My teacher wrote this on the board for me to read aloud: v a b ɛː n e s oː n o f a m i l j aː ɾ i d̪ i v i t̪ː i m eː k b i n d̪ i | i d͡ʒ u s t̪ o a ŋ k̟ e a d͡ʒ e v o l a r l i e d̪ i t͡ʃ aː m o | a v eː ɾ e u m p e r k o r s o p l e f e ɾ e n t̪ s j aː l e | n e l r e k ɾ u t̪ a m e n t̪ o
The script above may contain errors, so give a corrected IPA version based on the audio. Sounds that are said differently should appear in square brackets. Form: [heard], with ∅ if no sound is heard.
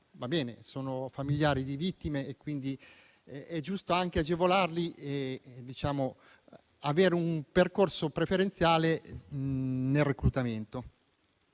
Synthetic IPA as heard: v a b ɛː n e s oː n o f a m i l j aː ɾ i d̪ i v i t̪ː i m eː k [w] i n d̪ i | [ɛ] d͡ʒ u s t̪ o a ŋ k̟ e a d͡ʒ e v o l a r l i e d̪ i t͡ʃ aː m o | a v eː ɾ e u m p e r k o r s o p [ɾ] e f e ɾ e n t̪ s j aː l e | n e l r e k ɾ u t̪ a m e n t̪ o